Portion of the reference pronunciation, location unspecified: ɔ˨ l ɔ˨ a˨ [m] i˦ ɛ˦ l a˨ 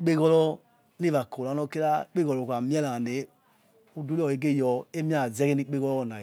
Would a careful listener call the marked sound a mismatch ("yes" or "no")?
no